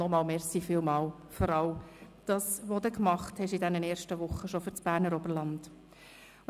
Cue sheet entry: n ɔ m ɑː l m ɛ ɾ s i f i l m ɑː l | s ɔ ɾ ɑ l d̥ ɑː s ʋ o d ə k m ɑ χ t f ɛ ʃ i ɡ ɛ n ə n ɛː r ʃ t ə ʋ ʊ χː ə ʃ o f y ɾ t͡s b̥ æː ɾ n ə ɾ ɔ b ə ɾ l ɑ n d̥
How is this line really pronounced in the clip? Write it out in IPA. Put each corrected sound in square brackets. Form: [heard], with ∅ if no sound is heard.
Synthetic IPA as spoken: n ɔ m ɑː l m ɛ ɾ s i f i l m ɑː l | [f] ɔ ɾ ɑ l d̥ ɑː s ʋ o d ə k m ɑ χ t [h] ɛ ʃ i [d] ɛ n ə n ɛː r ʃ t ə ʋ ʊ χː ə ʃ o f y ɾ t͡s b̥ æː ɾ n ə ɾ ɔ b ə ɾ l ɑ n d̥